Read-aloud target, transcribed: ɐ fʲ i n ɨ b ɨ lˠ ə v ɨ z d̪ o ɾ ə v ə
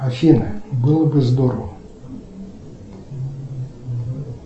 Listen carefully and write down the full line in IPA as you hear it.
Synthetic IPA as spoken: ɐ fʲ i n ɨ b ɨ lˠ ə b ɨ z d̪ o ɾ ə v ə